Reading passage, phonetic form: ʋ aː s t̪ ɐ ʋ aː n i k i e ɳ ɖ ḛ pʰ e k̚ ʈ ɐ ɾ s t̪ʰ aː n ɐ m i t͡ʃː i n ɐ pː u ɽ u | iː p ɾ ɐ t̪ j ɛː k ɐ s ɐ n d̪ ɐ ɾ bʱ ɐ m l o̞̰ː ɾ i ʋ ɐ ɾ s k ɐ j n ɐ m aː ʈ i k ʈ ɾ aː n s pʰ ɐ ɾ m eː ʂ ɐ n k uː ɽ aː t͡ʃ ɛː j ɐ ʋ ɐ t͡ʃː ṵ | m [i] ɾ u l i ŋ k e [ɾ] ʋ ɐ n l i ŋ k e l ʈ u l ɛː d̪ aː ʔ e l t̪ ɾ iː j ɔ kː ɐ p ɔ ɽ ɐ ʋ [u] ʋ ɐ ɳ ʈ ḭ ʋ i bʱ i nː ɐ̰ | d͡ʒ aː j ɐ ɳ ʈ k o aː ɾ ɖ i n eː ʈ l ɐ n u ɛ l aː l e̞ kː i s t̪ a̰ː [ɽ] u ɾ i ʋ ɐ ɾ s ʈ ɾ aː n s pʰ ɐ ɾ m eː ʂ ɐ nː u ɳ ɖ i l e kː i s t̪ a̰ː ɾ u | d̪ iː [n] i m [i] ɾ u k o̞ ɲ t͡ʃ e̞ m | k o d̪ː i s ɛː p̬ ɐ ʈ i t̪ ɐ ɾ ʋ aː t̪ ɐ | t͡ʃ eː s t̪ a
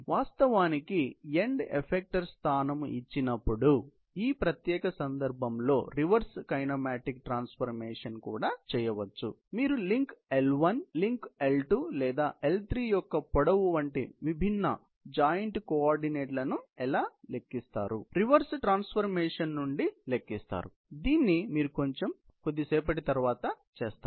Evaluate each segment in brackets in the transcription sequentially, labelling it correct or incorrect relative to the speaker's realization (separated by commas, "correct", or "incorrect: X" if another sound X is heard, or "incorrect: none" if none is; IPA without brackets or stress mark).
incorrect: iː, incorrect: l, correct, incorrect: ɾ, incorrect: nː, incorrect: iː